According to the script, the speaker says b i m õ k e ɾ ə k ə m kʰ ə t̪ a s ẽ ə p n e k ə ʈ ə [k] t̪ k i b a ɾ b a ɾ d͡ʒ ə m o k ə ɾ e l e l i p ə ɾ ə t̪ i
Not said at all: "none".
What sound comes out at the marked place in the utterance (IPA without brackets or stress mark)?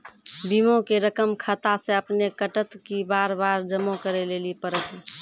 none